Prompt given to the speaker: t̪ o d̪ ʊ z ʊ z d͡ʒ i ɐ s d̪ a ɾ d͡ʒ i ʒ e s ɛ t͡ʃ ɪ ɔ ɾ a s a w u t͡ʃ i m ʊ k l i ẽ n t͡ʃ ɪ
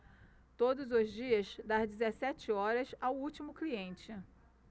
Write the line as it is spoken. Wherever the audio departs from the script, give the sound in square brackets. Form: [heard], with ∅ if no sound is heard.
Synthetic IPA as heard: t̪ o d̪ ʊ z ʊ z d͡ʒ i ɐ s d̪ a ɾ d͡ʒ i [z] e s ɛ t͡ʃ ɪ ɔ ɾ [ɐ] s a w u t͡ʃ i m ʊ k l i ẽ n t͡ʃ ɪ